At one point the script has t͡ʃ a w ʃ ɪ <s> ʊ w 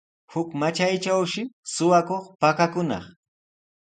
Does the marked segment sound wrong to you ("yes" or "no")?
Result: no